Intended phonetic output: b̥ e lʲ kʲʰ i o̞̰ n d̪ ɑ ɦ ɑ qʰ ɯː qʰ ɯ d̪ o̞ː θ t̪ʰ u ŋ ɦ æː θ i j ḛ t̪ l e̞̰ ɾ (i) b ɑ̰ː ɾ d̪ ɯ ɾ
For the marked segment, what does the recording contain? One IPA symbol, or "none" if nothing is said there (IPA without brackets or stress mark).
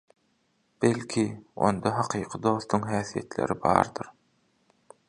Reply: i